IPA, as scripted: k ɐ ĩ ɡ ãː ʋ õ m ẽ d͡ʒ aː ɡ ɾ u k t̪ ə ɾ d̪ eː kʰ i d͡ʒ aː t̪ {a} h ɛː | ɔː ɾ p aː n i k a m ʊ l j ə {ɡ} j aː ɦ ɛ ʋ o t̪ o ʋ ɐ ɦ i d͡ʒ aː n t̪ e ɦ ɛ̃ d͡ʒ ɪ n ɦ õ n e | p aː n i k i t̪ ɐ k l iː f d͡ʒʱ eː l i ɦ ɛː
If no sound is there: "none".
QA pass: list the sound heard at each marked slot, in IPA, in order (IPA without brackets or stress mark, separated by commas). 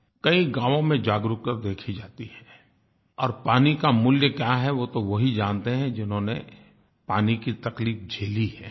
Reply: i, k